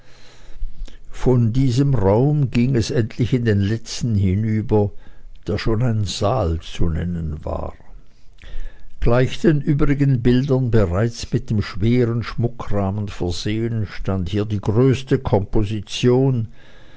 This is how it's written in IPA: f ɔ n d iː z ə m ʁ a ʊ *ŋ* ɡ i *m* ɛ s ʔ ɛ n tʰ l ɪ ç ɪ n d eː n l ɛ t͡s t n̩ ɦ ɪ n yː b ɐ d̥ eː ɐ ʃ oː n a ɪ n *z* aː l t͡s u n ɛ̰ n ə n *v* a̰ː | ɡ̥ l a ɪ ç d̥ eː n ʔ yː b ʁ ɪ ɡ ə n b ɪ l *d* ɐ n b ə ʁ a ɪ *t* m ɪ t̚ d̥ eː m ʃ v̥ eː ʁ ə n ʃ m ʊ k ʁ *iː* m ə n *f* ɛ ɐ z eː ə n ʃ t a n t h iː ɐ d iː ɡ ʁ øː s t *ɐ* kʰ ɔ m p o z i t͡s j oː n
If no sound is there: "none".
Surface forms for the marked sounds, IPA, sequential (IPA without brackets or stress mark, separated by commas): m, ŋ, z, v, d, t͡s, aː, f, ə